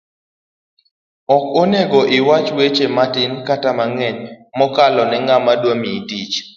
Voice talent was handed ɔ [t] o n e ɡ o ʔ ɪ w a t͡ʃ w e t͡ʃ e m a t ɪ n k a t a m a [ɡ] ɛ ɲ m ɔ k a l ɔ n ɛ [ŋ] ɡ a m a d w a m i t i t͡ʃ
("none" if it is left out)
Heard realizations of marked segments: k, ŋ, ŋ

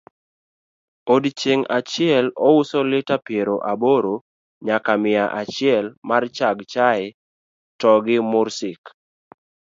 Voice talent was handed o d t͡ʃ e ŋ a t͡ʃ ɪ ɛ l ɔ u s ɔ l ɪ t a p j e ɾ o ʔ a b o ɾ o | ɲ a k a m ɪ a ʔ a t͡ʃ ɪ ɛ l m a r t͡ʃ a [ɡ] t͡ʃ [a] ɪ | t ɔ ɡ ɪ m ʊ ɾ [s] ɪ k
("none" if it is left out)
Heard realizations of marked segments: ɡ, a, s

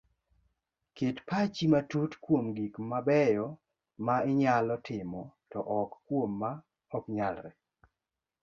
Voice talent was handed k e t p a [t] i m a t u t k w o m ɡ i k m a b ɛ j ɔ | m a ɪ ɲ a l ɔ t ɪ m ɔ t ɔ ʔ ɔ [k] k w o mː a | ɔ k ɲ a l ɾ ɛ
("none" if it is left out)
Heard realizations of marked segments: t͡ʃ, k

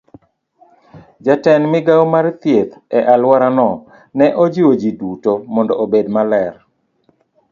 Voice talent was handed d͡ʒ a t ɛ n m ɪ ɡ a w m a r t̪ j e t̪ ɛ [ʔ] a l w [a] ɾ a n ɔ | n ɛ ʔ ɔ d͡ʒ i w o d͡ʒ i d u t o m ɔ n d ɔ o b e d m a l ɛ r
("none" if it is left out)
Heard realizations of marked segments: ʔ, a

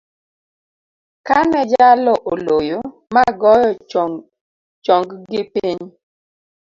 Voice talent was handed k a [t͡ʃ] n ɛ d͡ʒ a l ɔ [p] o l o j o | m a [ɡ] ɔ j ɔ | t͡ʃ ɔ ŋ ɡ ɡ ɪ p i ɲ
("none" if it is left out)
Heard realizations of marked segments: none, ʔ, ɡ

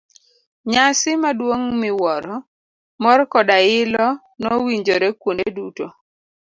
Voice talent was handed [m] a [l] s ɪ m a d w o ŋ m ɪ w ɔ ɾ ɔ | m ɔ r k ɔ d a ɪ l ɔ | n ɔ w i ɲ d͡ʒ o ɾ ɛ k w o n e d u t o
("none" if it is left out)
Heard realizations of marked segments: ɲ, none

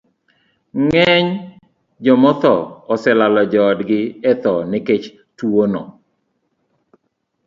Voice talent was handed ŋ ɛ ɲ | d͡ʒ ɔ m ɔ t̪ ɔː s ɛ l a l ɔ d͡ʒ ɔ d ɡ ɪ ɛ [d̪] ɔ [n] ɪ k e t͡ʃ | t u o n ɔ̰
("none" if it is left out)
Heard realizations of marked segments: t̪, n

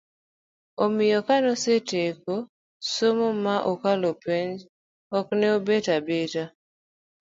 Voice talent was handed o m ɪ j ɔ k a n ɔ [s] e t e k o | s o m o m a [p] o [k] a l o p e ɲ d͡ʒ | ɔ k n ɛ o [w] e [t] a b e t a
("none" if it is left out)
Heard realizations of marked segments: s, ʔ, k, b, t

